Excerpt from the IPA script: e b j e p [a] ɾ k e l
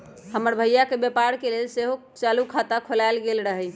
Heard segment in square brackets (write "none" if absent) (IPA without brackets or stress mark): a